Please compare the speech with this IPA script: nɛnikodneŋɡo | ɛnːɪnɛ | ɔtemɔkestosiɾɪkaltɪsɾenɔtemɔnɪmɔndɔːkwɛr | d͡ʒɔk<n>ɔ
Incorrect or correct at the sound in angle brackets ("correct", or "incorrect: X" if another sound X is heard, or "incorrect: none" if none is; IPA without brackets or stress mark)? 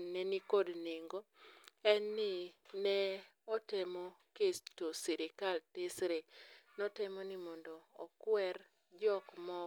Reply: incorrect: m